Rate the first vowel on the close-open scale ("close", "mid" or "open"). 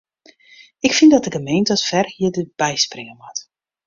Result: close